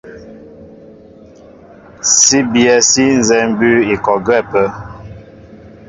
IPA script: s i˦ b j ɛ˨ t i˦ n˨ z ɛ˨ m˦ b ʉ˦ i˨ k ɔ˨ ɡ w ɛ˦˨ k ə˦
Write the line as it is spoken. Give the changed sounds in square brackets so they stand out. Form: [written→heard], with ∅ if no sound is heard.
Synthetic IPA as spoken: s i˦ b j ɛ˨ [t→s] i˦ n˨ z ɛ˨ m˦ b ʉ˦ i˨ k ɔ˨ ɡ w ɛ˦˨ [k→p] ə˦